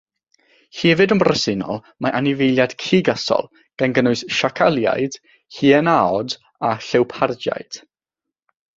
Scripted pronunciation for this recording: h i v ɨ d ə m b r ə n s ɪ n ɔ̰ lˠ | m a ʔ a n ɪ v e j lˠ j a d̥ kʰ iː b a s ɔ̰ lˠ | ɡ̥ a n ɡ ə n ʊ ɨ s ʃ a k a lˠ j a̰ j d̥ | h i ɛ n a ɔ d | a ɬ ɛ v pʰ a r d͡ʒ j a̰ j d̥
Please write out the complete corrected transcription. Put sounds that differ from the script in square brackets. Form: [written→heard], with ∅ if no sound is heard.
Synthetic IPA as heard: h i v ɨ d ə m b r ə [n→∅] s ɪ n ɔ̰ lˠ | m a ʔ a n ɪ v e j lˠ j a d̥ kʰ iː [b→ɡ] a s ɔ̰ lˠ | ɡ̥ a n ɡ ə n ʊ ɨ s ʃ a [k→kʰ] a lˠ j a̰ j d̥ | h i ɛ n a ɔ d | a ɬ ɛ [v→w] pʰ a r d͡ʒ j a̰ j d̥